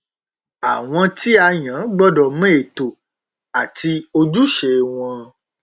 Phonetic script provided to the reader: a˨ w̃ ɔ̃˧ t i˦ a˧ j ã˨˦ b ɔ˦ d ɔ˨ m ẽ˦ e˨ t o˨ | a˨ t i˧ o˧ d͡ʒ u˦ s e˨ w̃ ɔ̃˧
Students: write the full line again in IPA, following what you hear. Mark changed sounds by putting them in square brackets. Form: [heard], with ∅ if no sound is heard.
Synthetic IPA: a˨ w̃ ɔ̃˧ t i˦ a˧ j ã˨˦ [ɡ͡b] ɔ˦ d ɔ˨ m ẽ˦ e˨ t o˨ | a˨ t i˧ o˧ d͡ʒ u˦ [ʃ] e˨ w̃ ɔ̃˧